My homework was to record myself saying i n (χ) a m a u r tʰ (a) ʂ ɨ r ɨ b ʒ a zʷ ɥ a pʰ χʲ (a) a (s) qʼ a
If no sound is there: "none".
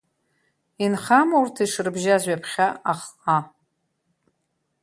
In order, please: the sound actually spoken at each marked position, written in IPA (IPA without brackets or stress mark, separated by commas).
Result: χ, i, a, χ